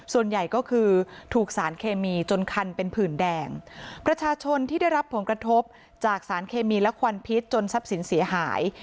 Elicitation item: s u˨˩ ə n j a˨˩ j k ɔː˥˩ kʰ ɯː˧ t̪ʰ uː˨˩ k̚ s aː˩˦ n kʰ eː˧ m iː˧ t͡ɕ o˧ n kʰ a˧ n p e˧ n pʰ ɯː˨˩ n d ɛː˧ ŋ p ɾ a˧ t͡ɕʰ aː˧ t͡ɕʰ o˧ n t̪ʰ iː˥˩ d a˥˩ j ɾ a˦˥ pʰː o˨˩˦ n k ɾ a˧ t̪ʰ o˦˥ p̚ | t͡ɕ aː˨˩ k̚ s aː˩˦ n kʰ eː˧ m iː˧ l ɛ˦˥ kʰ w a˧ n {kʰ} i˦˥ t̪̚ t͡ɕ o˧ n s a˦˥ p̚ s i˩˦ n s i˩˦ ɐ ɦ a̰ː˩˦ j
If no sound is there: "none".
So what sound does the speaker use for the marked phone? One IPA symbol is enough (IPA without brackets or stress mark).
pʰ